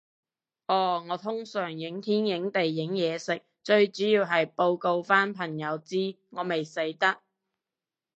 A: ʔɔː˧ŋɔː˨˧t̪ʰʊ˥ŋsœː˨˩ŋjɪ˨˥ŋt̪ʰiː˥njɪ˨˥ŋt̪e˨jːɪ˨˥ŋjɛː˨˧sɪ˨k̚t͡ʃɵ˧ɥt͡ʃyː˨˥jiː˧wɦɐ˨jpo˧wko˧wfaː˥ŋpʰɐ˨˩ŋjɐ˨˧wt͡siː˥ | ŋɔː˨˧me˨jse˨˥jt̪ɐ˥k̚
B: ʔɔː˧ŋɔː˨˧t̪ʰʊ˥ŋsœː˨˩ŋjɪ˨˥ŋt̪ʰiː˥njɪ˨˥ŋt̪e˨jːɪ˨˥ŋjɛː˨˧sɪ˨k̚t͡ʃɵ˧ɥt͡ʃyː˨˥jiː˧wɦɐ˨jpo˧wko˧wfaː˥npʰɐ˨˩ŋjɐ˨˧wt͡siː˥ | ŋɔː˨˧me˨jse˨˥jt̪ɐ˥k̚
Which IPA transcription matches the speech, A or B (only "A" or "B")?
B